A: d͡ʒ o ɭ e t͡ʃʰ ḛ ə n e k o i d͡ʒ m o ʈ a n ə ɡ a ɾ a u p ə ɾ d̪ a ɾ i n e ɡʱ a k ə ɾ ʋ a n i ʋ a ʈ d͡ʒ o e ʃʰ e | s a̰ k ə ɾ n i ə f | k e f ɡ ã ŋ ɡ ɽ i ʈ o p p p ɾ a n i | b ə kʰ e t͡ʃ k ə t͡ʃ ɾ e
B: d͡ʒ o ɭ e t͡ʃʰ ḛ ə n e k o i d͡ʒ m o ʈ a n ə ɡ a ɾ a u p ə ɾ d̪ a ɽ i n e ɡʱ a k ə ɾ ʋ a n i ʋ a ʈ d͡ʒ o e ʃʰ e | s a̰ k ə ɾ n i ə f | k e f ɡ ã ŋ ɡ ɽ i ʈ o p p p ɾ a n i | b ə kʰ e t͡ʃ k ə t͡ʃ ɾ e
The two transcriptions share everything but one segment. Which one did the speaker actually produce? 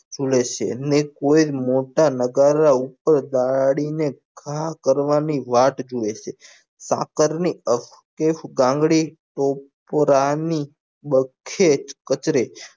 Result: B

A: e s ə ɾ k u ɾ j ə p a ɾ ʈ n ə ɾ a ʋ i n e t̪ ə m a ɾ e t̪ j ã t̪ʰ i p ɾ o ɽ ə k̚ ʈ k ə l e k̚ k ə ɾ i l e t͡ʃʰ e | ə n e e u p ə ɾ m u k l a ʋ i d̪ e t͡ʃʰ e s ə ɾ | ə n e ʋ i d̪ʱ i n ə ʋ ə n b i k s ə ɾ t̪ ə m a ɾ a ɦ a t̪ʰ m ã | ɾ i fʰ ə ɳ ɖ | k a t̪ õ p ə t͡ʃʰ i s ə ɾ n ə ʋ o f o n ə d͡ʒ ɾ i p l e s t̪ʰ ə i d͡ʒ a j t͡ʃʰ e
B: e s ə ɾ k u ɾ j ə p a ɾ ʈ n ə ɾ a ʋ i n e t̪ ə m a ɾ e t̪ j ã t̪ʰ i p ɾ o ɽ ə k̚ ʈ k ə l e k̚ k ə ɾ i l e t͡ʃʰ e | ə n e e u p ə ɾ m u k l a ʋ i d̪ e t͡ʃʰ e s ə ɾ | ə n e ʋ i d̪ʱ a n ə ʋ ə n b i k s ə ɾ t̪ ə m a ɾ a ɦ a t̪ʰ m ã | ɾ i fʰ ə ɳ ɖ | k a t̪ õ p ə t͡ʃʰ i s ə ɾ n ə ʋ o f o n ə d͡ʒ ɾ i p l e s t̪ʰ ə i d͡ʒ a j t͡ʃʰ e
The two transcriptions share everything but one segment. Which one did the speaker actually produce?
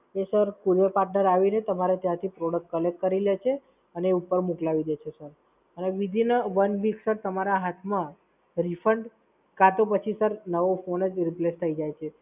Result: A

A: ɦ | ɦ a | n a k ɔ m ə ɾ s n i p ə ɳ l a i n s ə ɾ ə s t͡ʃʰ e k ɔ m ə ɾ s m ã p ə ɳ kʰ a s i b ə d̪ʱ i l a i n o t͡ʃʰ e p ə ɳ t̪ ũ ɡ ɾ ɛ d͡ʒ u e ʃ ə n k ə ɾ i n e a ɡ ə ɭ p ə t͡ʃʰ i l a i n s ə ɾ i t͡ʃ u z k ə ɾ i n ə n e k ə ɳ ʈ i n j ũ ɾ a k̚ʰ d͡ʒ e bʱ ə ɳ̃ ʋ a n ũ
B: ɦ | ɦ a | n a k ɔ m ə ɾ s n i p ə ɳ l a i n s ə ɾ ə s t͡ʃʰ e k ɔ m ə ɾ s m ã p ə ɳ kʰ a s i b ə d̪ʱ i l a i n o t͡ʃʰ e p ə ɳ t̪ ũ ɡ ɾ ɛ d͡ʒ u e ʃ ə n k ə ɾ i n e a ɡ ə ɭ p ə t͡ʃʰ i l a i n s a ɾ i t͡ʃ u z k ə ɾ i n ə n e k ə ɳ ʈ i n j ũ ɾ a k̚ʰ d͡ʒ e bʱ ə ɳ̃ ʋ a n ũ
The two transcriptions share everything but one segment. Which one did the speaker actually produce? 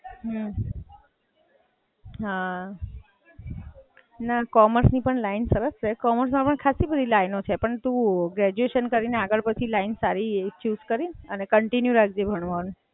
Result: B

